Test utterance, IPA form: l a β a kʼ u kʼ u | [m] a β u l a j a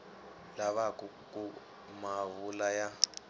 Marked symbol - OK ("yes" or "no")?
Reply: yes